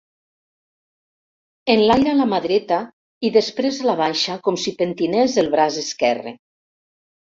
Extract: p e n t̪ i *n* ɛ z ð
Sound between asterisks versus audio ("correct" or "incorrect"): correct